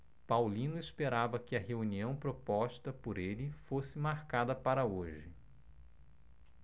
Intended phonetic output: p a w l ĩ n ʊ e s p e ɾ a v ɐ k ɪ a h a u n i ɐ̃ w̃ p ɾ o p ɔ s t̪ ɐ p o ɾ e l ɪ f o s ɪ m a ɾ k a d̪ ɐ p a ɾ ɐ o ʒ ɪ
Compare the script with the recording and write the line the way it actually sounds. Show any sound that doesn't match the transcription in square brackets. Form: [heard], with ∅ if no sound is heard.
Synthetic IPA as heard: p a w l ĩ n ʊ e s p e ɾ a v ɐ k ɪ [ɐ] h [e] u n i ɐ̃ w̃ p ɾ o p ɔ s t̪ ɐ p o ɾ e l ɪ f o s ɪ m a ɾ k a d̪ ɐ p a ɾ ɐ o ʒ ɪ